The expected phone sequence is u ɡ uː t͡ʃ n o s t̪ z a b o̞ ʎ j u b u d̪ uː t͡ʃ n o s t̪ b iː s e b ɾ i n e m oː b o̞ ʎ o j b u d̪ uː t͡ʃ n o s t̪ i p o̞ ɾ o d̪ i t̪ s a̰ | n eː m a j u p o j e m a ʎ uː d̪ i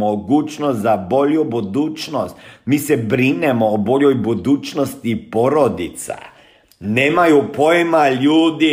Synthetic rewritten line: o ɡ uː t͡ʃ n o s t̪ z a b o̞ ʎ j u b u d̪ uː t͡ʃ n o s t̪ m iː s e b ɾ i n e m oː b o̞ ʎ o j b u d̪ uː t͡ʃ n o s t̪ i p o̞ ɾ o d̪ i t̪ s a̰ | n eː m a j u p o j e m a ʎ uː d̪ i